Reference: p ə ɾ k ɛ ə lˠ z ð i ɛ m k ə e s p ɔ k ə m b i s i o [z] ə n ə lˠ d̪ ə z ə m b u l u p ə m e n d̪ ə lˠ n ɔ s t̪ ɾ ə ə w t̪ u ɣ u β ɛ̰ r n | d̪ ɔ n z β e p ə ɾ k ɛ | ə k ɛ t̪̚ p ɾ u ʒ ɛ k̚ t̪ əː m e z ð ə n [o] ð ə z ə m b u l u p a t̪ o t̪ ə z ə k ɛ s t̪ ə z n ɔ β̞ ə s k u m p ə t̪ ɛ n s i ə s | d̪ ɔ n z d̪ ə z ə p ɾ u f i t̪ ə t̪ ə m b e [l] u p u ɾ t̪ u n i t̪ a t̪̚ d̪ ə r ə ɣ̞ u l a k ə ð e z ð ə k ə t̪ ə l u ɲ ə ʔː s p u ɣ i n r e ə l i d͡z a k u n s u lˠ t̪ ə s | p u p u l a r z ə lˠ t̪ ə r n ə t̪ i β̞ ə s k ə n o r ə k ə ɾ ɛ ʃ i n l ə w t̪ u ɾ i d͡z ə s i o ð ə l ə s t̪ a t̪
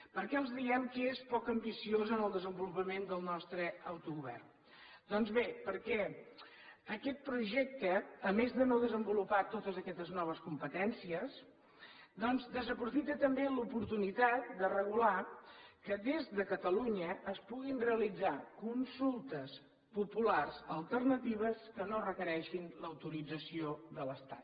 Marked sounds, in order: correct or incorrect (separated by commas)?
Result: correct, correct, correct